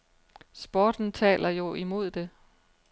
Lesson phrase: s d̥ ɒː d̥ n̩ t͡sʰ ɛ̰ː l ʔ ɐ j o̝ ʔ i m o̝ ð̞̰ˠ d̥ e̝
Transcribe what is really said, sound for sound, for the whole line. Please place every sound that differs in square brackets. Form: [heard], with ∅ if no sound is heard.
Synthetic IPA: s [b̥] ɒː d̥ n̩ t͡sʰ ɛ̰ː l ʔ ɐ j o̝ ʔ i m o̝ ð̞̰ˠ d̥ e̝